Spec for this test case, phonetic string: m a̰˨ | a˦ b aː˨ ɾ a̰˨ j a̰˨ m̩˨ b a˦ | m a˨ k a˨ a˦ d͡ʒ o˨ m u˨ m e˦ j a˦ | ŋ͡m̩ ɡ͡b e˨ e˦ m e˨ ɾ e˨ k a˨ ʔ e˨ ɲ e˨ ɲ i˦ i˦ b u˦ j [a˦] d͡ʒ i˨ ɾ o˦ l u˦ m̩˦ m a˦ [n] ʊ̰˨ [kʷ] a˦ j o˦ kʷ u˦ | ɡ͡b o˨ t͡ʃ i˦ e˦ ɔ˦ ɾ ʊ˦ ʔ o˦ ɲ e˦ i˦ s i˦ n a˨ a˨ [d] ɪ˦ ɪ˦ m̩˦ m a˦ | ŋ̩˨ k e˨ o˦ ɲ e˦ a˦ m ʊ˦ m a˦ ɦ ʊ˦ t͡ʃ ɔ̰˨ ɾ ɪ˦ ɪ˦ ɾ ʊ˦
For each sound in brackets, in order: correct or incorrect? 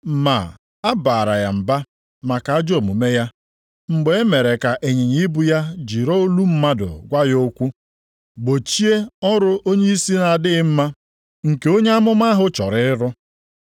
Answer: correct, incorrect: d, incorrect: ɡʷ, correct

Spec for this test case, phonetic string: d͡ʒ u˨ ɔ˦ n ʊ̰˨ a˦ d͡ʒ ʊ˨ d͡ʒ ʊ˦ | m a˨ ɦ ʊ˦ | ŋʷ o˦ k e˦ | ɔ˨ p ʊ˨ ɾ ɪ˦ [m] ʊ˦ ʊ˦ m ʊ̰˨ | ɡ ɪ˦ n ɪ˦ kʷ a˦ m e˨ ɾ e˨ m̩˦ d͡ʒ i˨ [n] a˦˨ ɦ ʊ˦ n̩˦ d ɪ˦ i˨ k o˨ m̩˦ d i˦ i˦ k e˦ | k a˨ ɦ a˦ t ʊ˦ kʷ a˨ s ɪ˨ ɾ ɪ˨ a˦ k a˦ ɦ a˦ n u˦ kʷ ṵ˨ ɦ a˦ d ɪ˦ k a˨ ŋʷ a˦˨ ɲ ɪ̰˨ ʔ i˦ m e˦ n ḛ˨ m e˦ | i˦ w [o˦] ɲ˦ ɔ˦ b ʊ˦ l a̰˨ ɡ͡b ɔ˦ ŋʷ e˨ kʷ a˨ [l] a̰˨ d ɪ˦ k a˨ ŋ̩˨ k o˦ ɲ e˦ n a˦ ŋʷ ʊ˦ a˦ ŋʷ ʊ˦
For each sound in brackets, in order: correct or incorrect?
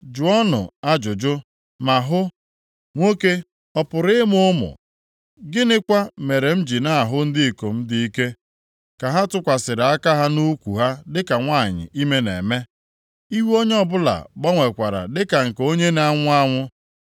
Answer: correct, correct, correct, incorrect: ɾ

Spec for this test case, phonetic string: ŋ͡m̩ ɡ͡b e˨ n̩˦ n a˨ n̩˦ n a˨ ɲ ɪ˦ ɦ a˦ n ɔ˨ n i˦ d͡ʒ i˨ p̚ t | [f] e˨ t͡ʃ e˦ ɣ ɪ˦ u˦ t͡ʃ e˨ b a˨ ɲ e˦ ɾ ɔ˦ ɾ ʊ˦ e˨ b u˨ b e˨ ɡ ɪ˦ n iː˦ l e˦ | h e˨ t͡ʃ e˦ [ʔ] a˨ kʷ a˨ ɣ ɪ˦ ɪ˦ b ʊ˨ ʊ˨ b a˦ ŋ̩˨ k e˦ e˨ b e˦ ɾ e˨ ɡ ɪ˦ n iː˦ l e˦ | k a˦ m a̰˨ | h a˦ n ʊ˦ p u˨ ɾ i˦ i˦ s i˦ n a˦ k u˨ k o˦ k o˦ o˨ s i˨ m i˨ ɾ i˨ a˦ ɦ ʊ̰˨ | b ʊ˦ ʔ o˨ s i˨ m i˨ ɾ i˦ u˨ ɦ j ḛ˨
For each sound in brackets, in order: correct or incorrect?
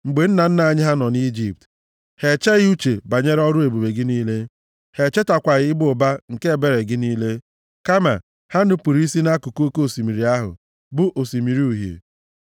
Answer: incorrect: h, incorrect: t

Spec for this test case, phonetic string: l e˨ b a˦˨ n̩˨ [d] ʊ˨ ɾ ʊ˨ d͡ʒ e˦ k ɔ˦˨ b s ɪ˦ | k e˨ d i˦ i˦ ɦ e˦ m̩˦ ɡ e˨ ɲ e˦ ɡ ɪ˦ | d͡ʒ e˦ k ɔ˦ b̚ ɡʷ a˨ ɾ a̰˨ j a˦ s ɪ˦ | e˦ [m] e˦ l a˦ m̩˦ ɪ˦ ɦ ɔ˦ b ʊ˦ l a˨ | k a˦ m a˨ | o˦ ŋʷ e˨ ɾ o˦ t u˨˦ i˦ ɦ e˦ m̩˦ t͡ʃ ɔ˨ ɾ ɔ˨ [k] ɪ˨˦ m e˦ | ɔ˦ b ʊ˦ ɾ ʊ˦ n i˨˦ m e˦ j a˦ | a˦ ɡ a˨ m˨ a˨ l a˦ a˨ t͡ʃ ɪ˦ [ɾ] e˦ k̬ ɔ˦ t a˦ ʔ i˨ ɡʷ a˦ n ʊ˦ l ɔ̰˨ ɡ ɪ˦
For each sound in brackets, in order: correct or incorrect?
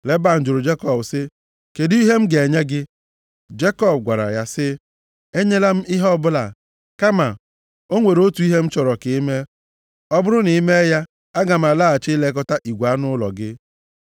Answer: incorrect: d͡ʒ, incorrect: ɲ, correct, incorrect: l

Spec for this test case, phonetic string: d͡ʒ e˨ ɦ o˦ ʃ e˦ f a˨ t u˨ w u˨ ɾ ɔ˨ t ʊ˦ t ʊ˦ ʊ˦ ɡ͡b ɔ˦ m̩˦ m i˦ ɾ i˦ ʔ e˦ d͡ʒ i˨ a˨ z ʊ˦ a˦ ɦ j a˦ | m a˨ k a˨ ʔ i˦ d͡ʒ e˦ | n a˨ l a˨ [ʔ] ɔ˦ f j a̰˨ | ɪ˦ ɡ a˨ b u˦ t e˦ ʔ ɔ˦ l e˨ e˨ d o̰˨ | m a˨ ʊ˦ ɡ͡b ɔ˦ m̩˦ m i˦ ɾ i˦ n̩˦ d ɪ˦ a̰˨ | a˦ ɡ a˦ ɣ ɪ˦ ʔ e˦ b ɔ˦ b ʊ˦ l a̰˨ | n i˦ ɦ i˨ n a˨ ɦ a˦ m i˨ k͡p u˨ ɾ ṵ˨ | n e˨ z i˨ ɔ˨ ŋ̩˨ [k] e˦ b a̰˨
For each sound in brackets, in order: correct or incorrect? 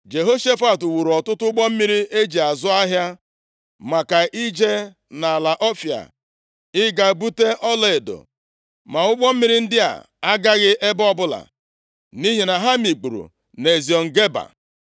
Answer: correct, incorrect: ɡ

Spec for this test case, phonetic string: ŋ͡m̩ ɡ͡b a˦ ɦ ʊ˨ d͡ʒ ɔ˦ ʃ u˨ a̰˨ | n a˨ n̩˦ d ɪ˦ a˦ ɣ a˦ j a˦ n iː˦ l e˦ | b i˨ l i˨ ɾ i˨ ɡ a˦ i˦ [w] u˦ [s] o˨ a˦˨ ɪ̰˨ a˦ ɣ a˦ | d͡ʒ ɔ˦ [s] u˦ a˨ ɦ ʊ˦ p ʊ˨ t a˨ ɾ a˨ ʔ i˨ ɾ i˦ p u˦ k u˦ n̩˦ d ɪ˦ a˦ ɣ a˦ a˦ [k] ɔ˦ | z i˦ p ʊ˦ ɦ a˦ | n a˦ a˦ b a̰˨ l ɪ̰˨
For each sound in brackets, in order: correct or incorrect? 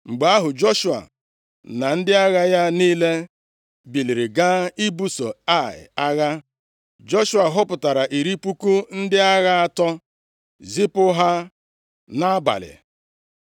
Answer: incorrect: b, correct, incorrect: ʃ, incorrect: t

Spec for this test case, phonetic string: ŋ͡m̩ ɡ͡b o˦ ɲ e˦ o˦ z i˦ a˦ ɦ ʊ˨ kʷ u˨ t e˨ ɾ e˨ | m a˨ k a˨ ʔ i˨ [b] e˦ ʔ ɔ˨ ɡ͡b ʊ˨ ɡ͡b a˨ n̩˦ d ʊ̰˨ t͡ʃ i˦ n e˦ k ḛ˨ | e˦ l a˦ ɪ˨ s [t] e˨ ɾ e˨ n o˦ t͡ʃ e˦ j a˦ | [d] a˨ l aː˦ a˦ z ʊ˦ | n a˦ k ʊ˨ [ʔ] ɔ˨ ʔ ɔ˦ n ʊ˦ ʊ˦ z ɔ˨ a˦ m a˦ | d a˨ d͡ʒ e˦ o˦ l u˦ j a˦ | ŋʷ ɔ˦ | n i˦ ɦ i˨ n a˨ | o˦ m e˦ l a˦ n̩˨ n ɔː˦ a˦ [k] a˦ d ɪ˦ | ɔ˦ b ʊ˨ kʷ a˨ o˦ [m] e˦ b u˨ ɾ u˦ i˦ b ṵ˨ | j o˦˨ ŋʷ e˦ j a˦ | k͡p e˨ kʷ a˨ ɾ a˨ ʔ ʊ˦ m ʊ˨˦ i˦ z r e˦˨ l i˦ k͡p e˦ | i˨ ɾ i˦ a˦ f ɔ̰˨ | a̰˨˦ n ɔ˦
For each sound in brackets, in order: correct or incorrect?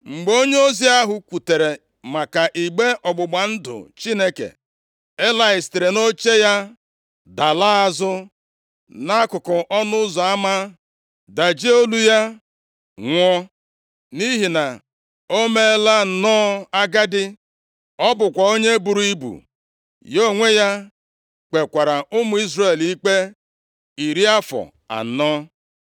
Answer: incorrect: ɡ͡b, correct, correct, incorrect: k, incorrect: ɡ, incorrect: ɲ

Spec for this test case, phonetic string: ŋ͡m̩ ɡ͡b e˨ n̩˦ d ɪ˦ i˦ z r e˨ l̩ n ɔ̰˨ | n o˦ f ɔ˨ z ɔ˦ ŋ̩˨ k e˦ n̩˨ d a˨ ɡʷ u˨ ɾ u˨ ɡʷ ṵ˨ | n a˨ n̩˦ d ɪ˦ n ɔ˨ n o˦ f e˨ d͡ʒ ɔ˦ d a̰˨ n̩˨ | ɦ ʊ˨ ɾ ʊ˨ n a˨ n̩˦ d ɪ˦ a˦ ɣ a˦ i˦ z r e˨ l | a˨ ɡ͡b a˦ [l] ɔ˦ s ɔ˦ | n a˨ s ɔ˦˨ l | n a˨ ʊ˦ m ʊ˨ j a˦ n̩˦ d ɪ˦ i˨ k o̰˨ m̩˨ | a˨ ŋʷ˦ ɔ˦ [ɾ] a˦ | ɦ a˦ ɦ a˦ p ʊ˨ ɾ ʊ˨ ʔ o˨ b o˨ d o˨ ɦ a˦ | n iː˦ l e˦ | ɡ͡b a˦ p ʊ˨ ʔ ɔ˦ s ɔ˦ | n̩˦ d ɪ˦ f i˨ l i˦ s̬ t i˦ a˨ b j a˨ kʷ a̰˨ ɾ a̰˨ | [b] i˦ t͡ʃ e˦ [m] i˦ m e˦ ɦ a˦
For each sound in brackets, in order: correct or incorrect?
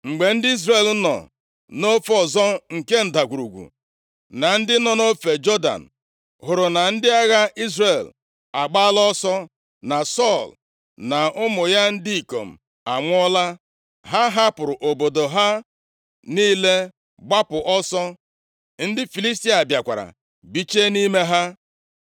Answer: correct, incorrect: l, correct, incorrect: n

